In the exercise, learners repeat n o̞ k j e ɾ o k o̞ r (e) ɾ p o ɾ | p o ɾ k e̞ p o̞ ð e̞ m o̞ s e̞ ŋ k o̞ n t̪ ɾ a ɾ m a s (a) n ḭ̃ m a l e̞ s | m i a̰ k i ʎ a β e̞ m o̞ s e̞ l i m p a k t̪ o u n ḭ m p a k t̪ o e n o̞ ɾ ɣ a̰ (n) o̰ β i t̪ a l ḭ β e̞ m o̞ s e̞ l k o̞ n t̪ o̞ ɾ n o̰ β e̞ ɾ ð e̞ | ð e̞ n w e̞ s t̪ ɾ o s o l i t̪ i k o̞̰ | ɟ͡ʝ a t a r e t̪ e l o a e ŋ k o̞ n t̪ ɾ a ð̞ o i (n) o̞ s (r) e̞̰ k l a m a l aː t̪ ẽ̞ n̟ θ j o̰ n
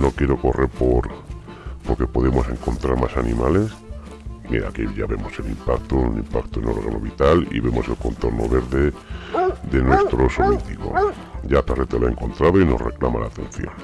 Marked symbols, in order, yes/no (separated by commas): yes, yes, yes, yes, yes